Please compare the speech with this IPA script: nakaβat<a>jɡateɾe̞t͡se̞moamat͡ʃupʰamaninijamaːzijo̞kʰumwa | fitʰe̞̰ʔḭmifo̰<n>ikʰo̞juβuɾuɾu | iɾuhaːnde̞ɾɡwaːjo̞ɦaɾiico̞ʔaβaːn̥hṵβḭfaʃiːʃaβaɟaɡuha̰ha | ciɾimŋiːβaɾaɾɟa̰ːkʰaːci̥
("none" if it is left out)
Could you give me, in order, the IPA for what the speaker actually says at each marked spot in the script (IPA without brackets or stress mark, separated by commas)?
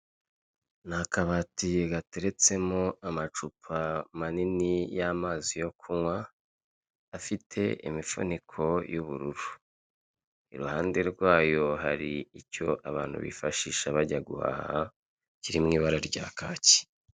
i, n